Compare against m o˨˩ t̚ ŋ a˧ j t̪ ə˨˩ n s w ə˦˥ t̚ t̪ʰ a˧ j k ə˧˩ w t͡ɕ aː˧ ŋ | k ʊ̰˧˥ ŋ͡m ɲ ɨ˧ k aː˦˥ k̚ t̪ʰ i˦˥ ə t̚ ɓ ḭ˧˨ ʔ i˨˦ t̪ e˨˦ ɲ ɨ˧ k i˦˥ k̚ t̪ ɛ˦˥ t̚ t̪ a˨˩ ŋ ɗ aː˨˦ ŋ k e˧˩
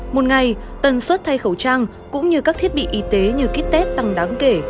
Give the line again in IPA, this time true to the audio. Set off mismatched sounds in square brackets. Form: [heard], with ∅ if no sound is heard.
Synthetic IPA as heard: m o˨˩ t̚ ŋ [a˨˩] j t̪ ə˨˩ n s w ə˦˥ t̚ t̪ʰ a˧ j [x] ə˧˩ w t͡ɕ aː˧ ŋ | k ʊ̰˧˥ ŋ͡m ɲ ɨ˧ k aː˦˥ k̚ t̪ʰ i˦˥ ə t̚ ɓ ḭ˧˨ ʔ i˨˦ t̪ e˨˦ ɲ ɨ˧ k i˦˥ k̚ t̪ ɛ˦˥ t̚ t̪ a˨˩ ŋ ɗ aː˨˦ ŋ k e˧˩

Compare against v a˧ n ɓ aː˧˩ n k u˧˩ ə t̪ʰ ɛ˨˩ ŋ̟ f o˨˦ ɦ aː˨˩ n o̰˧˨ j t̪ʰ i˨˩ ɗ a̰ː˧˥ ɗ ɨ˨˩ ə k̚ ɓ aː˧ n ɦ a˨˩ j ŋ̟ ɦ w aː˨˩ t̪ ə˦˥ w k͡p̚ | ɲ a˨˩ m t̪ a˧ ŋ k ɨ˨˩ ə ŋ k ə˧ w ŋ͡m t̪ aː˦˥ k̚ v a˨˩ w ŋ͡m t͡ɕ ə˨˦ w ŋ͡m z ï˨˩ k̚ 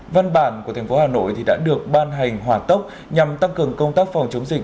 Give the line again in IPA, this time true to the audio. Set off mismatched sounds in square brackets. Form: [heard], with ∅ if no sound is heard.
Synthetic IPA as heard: v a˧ n ɓ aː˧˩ n k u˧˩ ə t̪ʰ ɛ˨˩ ŋ̟ f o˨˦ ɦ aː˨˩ n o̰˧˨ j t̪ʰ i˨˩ ɗ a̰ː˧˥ ɗ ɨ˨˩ ə k̚ ɓ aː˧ n ɦ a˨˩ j ŋ̟ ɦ w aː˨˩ t̪ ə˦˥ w k͡p̚ | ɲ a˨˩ m t̪ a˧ ŋ k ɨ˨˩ ə ŋ k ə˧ w ŋ͡m t̪ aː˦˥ k̚ [f] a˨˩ w ŋ͡m t͡ɕ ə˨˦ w ŋ͡m z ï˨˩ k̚

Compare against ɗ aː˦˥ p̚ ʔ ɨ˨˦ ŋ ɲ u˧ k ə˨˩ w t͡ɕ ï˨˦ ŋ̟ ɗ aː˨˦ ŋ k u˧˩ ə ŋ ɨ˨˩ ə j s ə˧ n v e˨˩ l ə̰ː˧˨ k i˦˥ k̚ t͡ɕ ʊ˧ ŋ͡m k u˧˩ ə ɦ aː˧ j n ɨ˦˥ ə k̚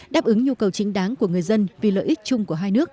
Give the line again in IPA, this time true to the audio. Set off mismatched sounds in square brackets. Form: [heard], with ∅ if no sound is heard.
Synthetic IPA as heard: ɗ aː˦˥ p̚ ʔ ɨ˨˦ ŋ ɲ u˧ k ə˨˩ w t͡ɕ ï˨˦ ŋ̟ ɗ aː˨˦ ŋ k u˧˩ ə ŋ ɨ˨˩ ə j [z] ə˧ n v [i˨˩] l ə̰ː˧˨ [ʔ] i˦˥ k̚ t͡ɕ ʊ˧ ŋ͡m k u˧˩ ə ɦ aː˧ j n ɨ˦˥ ə k̚

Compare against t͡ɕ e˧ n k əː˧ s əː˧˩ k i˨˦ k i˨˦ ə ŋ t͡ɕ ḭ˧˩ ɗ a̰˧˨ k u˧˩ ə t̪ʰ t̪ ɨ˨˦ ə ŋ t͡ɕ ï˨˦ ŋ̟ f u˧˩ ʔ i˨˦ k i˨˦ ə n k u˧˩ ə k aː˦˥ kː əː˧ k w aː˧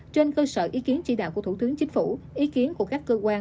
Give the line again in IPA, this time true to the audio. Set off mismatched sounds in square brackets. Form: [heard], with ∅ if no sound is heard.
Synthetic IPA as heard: t͡ɕ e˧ n k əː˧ s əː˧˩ [ʔ] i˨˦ k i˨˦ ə [n] t͡ɕ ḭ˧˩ ɗ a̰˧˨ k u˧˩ ə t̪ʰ t̪ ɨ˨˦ ə ŋ t͡ɕ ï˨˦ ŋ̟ f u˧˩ ʔ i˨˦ k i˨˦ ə n k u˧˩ ə k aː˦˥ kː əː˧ k w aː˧

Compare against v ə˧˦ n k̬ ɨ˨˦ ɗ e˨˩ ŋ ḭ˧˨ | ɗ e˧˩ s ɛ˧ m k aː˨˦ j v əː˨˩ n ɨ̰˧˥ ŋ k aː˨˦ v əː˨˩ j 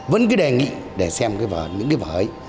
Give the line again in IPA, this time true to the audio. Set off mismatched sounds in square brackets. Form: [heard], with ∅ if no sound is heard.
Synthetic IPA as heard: v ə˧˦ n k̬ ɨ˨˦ ɗ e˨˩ ŋ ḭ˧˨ | ɗ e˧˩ s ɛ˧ m k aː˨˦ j v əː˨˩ [ɲ] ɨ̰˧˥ ŋ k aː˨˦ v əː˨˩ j

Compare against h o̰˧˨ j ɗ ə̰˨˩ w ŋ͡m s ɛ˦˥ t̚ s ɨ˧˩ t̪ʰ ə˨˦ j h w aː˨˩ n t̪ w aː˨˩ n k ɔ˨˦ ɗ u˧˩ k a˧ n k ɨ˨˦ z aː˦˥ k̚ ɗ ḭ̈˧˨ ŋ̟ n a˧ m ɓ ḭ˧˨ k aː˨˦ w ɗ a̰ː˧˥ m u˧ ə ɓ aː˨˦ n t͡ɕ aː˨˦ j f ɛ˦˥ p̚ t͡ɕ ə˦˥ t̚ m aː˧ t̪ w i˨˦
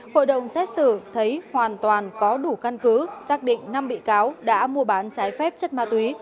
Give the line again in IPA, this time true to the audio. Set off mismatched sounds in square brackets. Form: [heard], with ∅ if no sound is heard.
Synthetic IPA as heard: h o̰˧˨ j ɗ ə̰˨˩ w ŋ͡m s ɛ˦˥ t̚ s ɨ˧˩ t̪ʰ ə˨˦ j h w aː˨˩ n t̪ w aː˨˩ n k ɔ˨˦ ɗ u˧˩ k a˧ n k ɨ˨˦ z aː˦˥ k̚ ɗ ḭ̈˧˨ ŋ̟ n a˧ m ɓ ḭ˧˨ k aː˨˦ w ɗ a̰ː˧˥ m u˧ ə ɓ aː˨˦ n t͡ɕ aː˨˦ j f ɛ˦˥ p̚ t͡ɕ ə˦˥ t̚ m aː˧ t̪ w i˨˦

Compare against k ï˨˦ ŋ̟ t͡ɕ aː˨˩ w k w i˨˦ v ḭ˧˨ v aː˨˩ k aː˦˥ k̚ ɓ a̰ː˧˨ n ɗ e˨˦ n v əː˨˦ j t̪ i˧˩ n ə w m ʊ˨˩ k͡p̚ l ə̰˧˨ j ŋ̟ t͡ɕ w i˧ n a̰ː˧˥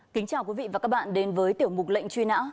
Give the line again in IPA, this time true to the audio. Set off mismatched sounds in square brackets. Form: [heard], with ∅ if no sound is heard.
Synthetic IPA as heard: k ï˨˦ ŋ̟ t͡ɕ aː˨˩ w k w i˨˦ v ḭ˧˨ v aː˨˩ k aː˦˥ k̚ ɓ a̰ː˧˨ n ɗ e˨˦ n v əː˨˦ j t̪ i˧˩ [∅] ə w m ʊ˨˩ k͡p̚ l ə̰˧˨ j ŋ̟ t͡ɕ w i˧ n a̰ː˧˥

